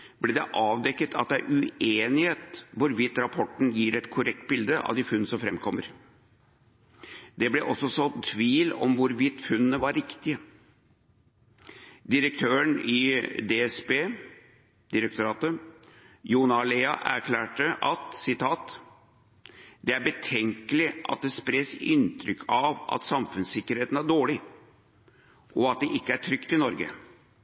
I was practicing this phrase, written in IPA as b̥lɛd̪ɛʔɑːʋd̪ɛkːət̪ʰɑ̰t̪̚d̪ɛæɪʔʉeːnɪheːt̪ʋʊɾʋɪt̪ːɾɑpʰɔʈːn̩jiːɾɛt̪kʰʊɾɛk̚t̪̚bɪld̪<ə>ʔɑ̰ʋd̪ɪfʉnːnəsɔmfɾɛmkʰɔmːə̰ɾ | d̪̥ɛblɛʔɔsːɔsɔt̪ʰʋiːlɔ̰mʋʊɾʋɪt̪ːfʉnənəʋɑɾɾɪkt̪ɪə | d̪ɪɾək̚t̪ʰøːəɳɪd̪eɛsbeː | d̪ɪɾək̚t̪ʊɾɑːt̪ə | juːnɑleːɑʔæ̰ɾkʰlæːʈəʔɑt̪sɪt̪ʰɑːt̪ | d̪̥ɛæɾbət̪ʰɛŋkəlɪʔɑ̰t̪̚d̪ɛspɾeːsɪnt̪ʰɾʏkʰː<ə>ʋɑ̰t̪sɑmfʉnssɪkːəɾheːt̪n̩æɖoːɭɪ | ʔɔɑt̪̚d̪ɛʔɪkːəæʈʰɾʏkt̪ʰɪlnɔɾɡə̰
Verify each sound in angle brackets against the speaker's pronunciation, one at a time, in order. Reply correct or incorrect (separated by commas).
correct, incorrect